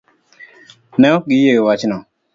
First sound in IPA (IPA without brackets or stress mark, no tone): n